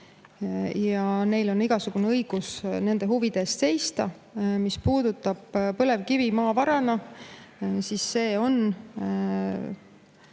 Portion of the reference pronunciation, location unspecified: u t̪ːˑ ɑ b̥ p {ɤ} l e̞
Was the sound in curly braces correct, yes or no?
yes